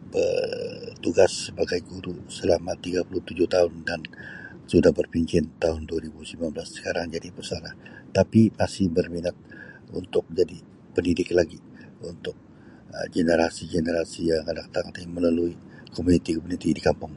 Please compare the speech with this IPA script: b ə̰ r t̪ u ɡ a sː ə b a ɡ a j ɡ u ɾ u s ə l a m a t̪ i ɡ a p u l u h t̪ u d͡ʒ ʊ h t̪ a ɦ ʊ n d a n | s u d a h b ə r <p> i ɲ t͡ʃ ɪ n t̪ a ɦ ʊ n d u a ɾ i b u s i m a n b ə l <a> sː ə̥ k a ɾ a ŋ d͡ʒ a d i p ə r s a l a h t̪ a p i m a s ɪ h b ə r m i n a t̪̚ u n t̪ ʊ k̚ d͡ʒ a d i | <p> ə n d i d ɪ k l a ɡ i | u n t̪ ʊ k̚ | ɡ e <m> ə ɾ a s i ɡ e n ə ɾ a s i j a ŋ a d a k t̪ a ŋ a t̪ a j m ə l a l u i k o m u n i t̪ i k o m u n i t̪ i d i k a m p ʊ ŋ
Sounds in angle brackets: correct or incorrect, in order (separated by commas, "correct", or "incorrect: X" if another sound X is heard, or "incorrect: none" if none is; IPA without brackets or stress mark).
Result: correct, correct, correct, incorrect: n